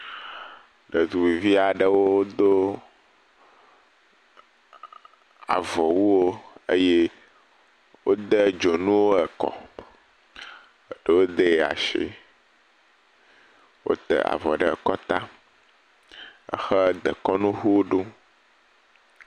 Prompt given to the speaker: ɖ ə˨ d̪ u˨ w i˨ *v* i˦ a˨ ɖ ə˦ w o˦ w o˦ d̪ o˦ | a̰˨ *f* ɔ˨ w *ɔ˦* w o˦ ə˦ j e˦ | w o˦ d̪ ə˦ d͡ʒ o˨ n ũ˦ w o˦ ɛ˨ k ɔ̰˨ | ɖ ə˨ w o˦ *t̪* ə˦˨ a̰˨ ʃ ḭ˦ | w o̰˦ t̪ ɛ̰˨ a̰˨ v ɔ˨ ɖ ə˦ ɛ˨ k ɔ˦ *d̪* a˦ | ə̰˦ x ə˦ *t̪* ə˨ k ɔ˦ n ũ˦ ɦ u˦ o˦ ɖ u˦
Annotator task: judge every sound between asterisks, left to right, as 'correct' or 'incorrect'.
correct, incorrect: v, incorrect: u˦, incorrect: d̪, incorrect: t̪, incorrect: d̪

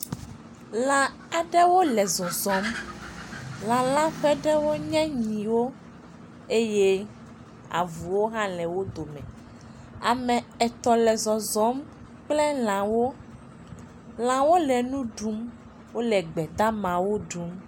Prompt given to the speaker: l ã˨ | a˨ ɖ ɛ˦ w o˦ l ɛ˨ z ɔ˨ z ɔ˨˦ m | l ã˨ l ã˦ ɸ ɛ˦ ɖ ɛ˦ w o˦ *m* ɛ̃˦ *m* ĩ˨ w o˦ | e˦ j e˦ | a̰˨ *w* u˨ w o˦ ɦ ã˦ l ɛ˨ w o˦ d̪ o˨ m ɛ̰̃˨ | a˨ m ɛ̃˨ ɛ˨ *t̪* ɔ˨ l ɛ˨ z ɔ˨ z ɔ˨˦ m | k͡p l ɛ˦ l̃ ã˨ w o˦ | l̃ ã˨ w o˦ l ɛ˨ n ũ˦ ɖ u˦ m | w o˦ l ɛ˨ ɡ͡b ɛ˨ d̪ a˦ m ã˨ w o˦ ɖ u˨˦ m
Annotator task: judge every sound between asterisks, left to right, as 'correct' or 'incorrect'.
incorrect: ɲ, incorrect: ɲ, incorrect: v, correct

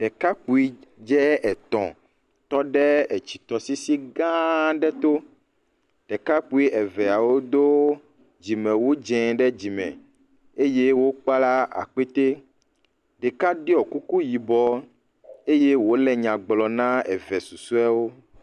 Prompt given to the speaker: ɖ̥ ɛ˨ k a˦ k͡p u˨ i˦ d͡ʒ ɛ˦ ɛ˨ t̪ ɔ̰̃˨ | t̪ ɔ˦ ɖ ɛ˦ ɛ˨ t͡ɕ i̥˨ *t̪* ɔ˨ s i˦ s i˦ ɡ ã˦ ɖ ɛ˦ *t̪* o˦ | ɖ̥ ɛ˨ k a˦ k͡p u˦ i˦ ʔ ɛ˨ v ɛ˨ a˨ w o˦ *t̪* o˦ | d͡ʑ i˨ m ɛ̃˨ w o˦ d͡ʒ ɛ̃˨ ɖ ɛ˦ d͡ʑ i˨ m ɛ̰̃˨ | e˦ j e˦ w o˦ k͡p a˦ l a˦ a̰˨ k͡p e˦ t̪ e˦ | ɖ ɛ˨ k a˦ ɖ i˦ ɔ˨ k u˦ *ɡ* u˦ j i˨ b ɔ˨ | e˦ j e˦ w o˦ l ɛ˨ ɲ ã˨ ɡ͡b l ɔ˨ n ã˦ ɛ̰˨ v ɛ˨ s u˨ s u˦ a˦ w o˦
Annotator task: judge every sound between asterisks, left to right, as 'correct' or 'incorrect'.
correct, correct, incorrect: d̪, incorrect: k

